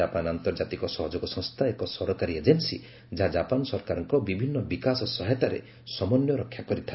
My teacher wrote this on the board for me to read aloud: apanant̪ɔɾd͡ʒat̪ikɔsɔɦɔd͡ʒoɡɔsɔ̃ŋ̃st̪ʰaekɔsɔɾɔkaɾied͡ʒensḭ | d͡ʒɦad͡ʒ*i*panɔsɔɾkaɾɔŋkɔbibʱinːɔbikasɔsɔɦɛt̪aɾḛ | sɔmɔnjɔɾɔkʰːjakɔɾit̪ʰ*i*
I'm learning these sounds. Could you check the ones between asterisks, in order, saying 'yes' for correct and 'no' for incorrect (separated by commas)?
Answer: no, no